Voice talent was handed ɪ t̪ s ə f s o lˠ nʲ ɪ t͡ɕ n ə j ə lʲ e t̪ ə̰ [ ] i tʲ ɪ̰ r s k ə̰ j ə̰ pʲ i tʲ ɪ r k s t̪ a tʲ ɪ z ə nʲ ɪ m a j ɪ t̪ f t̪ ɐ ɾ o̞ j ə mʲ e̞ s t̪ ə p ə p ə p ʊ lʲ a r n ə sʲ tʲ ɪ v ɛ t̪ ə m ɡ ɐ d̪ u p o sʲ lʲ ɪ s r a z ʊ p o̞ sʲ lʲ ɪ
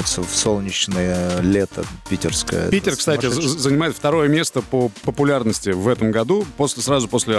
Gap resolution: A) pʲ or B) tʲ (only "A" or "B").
A